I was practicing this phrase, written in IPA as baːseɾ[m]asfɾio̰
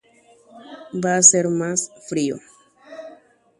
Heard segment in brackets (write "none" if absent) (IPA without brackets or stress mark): m